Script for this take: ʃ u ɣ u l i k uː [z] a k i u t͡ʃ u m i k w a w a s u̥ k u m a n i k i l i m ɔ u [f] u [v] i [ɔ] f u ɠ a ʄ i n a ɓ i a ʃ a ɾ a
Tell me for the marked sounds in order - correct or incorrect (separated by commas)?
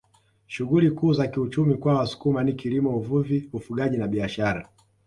correct, incorrect, correct, incorrect